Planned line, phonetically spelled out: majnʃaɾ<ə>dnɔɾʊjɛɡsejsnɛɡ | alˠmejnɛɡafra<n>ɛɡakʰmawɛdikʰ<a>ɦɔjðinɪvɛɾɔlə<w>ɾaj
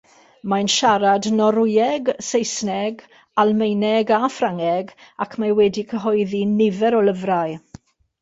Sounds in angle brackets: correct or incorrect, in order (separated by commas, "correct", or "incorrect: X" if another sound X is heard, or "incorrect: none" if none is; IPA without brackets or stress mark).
incorrect: a, incorrect: ŋ, incorrect: ə, incorrect: v